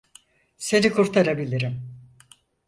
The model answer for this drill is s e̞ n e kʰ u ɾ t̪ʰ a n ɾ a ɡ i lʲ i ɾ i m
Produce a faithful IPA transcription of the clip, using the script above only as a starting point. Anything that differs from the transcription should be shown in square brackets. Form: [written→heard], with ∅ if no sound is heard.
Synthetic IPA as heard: s e̞ n [e→i] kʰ u ɾ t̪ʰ a [n→∅] ɾ a [ɡ→b] i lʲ i ɾ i m

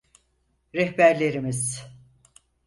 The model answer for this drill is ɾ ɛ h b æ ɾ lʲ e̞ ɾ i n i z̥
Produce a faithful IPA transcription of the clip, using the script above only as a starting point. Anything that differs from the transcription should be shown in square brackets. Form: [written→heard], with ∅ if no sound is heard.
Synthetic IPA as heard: ɾ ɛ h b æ ɾ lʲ e̞ ɾ i [n→m] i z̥

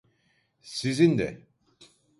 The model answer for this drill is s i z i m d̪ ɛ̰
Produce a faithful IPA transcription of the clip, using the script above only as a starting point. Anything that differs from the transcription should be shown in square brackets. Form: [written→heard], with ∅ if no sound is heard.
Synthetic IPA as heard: s i z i [m→n] d̪ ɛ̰

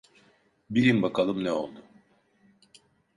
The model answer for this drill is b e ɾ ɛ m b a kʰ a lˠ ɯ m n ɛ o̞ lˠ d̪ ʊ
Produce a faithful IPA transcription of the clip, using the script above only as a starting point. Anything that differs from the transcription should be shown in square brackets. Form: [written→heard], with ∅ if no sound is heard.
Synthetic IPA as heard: b [e→i] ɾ [ɛ→i] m b a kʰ a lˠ ɯ m n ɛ o̞ lˠ d̪ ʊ

